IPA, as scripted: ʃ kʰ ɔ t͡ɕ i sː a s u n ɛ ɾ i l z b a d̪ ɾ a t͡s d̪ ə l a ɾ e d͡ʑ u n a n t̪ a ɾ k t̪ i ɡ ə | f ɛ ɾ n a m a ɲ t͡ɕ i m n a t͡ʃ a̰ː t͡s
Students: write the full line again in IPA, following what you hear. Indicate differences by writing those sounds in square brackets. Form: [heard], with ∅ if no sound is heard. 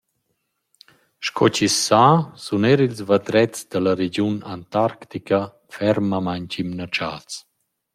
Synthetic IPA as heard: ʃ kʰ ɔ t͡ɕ i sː a s u n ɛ ɾ i l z [v] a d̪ ɾ [ɛ] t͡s d̪ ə l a ɾ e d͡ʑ u n a n t̪ a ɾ k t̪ i [k] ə | f ɛ ɾ [m] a m a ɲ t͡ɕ i m n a t͡ʃ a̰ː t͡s